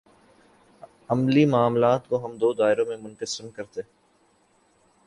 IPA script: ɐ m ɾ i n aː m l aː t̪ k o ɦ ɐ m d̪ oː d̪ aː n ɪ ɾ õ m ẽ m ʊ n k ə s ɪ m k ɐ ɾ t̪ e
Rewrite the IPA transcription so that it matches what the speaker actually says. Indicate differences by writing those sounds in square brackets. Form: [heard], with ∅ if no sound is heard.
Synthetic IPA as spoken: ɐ m [l] i [m] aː m l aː t̪ k o ɦ ɐ m d̪ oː d̪ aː [∅] ɪ ɾ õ m ẽ m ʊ n k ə s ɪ m k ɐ ɾ t̪ e